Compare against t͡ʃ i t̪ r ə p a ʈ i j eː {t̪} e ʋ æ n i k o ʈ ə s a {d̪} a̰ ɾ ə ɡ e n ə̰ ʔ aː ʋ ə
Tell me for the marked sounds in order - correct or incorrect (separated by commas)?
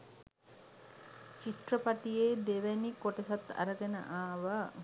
incorrect, incorrect